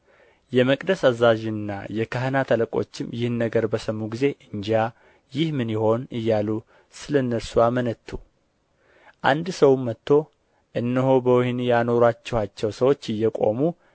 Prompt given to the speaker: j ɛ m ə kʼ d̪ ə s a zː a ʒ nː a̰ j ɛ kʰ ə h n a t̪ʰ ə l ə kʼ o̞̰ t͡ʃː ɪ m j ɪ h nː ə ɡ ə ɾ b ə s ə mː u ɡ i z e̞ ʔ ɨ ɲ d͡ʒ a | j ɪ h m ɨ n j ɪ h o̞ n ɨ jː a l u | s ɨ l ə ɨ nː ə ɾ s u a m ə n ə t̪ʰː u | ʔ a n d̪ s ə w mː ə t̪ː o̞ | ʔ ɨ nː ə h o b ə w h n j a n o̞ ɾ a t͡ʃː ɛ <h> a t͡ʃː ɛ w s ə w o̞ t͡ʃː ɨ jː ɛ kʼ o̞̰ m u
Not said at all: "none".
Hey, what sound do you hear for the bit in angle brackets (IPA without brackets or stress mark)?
h